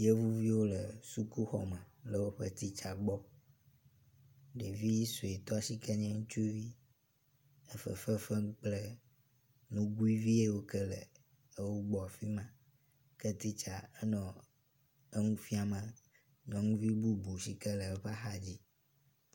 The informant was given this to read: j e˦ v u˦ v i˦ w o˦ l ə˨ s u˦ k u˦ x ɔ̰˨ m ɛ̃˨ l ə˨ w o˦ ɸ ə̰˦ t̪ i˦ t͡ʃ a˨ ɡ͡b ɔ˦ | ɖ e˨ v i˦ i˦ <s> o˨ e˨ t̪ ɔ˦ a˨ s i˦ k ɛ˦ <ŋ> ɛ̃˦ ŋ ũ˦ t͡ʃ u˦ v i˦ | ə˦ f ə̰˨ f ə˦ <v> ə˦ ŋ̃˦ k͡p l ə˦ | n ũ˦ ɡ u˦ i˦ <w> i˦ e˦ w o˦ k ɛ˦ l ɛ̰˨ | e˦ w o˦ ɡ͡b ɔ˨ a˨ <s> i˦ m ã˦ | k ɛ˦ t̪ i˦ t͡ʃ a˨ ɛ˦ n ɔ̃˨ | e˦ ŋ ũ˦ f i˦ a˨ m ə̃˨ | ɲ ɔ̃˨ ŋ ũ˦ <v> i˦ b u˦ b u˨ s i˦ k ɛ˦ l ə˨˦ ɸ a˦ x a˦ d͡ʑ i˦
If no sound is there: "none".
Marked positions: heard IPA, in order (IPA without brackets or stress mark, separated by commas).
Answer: s, ɲ, f, v, f, v